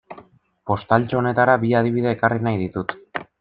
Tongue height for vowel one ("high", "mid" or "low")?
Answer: mid